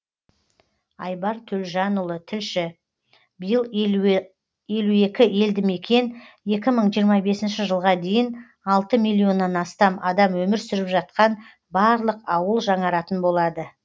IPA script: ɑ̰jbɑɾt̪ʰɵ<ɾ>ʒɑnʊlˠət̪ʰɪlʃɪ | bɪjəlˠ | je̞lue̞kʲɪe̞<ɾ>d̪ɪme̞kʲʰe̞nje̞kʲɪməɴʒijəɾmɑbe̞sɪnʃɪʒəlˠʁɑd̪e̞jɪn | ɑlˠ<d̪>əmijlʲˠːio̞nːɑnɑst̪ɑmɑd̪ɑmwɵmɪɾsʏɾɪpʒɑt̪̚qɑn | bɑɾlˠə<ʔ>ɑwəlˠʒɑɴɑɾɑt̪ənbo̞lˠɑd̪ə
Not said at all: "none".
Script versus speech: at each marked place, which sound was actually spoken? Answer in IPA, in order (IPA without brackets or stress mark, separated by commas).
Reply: l, l, t̪, q